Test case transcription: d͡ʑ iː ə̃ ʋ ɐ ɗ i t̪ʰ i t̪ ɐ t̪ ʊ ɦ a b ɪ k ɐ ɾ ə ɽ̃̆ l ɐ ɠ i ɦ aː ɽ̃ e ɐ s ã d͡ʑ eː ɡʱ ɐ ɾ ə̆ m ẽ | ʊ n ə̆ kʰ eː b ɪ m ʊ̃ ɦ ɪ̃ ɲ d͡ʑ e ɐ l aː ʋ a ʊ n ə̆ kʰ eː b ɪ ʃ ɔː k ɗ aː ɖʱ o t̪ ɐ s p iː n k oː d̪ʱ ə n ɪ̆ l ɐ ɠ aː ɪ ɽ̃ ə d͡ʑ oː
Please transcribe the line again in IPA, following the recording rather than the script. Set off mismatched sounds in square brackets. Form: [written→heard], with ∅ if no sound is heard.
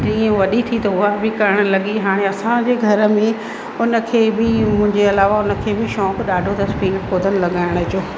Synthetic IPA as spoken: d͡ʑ iː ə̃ ʋ ɐ ɗ i t̪ʰ i t̪ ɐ [t̪→∅] ʊ ɦ a b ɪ k ɐ ɾ ə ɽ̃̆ l ɐ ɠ i ɦ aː ɽ̃ e ɐ s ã d͡ʑ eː ɡʱ ɐ ɾ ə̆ m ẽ | ʊ n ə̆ kʰ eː b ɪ m ʊ̃ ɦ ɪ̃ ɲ d͡ʑ e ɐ l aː ʋ a ʊ n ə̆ kʰ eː b ɪ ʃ ɔː k ɗ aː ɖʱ o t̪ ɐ s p iː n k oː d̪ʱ ə n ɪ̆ l ɐ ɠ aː ɪ ɽ̃ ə d͡ʑ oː